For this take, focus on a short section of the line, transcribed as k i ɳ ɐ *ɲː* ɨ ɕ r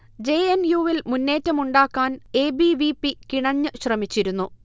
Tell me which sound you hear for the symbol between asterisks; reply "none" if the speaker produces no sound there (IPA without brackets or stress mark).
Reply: ɲː